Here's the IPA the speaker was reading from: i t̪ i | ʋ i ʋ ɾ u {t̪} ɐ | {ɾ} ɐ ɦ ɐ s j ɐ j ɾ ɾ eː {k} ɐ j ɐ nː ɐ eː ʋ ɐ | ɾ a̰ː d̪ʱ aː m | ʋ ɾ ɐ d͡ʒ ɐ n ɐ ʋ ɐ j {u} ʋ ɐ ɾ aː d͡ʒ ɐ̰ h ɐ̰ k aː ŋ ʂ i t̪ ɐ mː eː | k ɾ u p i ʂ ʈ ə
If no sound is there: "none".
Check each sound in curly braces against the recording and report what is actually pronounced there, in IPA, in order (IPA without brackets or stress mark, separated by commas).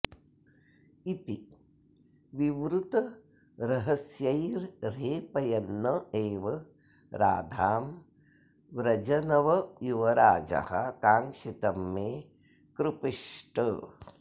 t̪, ɾ, p, u